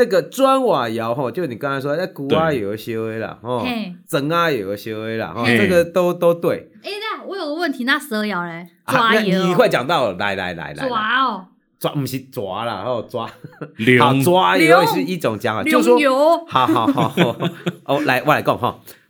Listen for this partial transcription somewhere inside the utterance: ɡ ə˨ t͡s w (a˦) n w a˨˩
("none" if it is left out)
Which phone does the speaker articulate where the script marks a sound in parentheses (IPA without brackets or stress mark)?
a˦